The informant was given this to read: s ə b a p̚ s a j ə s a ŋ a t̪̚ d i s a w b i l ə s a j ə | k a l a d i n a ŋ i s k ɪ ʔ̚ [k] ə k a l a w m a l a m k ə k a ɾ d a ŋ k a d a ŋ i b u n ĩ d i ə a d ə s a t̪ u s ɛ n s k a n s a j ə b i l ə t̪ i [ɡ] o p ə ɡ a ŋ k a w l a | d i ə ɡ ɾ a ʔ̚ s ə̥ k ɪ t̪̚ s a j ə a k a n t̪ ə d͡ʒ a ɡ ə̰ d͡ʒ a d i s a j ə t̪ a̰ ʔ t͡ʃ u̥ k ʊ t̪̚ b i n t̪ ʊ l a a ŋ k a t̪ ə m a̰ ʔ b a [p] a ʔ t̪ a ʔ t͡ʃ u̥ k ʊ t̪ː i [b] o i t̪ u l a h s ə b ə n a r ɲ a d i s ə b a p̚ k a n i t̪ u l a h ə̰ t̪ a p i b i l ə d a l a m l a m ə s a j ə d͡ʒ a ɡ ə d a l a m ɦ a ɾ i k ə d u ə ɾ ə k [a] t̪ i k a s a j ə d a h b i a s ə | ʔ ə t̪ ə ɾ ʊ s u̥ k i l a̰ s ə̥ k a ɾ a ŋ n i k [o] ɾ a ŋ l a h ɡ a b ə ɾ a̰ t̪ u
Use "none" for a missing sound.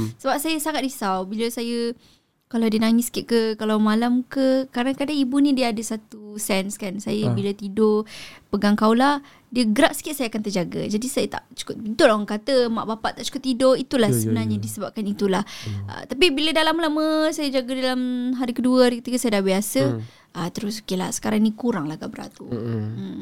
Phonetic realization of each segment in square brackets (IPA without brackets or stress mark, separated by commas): k, d, p, d, ə, u